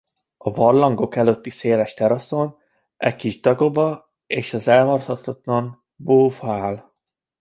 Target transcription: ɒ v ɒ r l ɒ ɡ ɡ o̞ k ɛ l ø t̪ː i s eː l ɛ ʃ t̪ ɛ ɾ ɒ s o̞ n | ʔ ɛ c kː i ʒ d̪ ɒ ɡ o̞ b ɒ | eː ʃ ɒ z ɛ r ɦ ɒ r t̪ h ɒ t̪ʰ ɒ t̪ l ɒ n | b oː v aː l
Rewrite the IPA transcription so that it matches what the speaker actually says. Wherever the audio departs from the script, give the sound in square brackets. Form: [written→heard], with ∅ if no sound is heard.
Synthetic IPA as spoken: ɒ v ɒ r l ɒ [ɡ→ŋ] ɡ o̞ k ɛ l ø t̪ː i s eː l ɛ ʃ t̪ ɛ ɾ ɒ s o̞ n | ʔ ɛ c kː i ʒ d̪ ɒ ɡ o̞ b ɒ | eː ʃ ɒ z ɛ [r→l] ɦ ɒ r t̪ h ɒ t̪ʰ ɒ t̪ l ɒ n | b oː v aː l

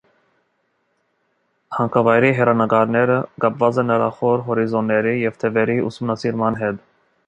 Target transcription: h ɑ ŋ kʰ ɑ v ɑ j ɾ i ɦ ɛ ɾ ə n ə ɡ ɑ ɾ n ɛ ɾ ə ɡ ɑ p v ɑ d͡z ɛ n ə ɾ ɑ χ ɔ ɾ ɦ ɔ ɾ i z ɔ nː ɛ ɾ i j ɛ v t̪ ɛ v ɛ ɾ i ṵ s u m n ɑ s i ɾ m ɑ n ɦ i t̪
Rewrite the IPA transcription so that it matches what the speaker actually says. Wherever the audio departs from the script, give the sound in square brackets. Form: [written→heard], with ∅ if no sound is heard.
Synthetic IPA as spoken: h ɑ ŋ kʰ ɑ v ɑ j ɾ i ɦ ɛ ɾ [ə→ɑ] n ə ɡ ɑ ɾ n ɛ ɾ ə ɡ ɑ p v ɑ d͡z ɛ n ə ɾ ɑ χ ɔ ɾ ɦ ɔ ɾ i z ɔ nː ɛ ɾ i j ɛ v [t̪→t̪ʰ] ɛ v ɛ ɾ i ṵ s u m n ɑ s i ɾ m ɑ n ɦ [i→ɛ] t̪

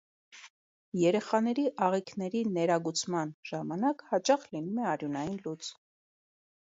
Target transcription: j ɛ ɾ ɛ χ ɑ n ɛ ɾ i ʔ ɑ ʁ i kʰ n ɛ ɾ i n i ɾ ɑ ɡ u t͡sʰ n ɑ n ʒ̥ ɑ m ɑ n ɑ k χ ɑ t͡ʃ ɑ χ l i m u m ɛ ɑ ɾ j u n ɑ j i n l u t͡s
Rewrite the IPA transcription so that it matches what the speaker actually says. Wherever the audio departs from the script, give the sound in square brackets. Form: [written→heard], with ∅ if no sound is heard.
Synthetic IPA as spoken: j ɛ ɾ ɛ χ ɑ n ɛ ɾ i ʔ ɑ ʁ i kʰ n ɛ ɾ i n [i→ɛ] ɾ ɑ ɡ u t͡sʰ [n→m] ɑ n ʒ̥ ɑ m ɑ n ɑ k [χ→h] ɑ t͡ʃ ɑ χ l i [m→n] u m ɛ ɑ ɾ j u n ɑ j i n l u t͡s

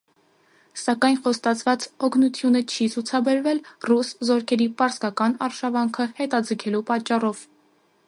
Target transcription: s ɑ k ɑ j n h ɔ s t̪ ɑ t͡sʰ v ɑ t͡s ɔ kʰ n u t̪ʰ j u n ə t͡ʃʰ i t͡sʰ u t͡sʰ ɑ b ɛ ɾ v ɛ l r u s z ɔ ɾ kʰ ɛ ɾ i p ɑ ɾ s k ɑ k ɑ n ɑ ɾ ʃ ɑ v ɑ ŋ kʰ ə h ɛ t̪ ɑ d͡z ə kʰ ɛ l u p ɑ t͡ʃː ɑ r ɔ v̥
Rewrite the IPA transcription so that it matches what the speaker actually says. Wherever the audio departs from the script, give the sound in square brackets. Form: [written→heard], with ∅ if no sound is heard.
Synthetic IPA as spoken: s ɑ k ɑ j n [h→χ] ɔ s t̪ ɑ t͡sʰ v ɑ t͡s ɔ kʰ n u t̪ʰ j u n ə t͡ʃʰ i t͡sʰ u t͡sʰ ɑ b ɛ ɾ v ɛ l r u s z ɔ ɾ kʰ ɛ ɾ i p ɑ ɾ s k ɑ k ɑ n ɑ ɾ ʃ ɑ v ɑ ŋ kʰ ə h ɛ t̪ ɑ d͡z ə kʰ ɛ l u p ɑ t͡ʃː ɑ r ɔ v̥

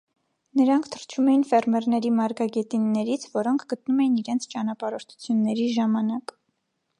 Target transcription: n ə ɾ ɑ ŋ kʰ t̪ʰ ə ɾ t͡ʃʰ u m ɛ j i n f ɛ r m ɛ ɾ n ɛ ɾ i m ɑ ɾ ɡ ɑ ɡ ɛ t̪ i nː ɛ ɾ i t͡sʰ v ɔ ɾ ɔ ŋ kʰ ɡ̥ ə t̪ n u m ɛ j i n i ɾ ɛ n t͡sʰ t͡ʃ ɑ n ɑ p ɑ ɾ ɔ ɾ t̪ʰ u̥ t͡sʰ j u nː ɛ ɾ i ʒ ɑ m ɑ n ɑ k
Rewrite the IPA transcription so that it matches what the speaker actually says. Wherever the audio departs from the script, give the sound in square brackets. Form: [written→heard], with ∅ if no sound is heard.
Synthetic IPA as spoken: n ə ɾ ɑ ŋ kʰ t̪ʰ ə ɾ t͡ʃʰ u m ɛ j i n f ɛ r m ɛ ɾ n ɛ ɾ i m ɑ ɾ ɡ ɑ ɡ ɛ t̪ i nː ɛ ɾ i t͡sʰ v ɔ ɾ ɔ ŋ kʰ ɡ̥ ə t̪ n u m ɛ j i n i ɾ ɛ n t͡sʰ t͡ʃ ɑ n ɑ p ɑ ɾ ɔ ɾ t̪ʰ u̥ t͡sʰ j u nː ɛ ɾ i ʒ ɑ m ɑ n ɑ k

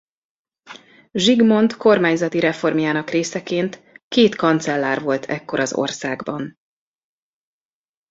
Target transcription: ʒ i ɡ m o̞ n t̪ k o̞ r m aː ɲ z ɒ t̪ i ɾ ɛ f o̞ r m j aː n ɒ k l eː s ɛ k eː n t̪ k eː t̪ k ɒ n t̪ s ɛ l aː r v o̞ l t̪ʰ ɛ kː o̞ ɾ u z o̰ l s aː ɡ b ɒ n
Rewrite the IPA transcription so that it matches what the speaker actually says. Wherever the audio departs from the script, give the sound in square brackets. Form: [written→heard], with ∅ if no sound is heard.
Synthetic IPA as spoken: ʒ i ɡ m o̞ n t̪ k o̞ r m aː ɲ z ɒ t̪ i ɾ ɛ f o̞ r m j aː n ɒ k [l→r] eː s ɛ k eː n t̪ k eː t̪ k ɒ n t̪ s ɛ [l→lː] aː r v o̞ l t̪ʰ ɛ kː o̞ ɾ [u→ɒ] z o̰ [l→r] s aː ɡ b ɒ n

